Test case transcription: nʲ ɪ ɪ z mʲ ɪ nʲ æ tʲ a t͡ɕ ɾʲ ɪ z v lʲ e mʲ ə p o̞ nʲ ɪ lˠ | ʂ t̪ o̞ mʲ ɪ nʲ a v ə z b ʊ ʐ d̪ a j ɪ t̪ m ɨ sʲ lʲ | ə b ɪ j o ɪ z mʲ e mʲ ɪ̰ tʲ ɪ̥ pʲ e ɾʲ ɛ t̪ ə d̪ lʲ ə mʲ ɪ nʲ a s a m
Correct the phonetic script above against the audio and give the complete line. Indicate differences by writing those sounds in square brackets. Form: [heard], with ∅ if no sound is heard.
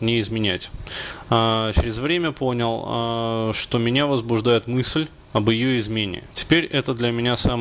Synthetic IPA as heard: nʲ ɪ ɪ z mʲ ɪ nʲ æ tʲ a t͡ɕ ɾʲ ɪ z v [ɾʲ] e mʲ ə p o̞ nʲ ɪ lˠ | ʂ t̪ o̞ mʲ ɪ nʲ a v ə z b ʊ ʐ d̪ a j ɪ t̪ m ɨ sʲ lʲ | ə b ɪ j o ɪ z mʲ e [nʲ] ɪ̰ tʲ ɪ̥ pʲ e ɾʲ ɛ t̪ ə d̪ lʲ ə mʲ ɪ nʲ a s a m